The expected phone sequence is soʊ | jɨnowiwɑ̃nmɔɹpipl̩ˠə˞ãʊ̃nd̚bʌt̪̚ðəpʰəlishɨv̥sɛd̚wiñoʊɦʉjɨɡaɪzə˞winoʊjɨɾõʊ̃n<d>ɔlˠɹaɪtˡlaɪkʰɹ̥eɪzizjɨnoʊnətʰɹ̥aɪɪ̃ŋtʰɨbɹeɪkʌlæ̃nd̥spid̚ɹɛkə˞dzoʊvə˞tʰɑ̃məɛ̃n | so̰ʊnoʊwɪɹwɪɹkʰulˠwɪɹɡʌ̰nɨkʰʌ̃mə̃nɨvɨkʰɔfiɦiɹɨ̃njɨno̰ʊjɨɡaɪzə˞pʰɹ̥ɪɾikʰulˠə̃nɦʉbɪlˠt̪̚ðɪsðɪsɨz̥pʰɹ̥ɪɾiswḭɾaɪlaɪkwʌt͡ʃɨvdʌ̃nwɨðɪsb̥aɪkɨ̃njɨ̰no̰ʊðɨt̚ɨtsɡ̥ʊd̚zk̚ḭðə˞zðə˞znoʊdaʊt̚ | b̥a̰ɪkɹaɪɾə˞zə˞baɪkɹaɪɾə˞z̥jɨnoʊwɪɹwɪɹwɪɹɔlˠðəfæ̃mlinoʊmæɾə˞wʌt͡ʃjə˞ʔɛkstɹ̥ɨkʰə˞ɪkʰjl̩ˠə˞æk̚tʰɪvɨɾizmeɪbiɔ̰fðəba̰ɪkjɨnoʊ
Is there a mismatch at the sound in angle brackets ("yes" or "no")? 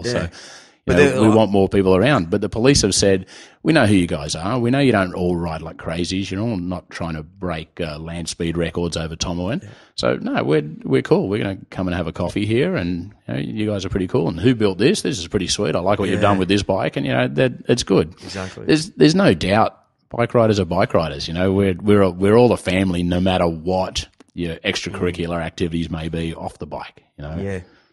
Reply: yes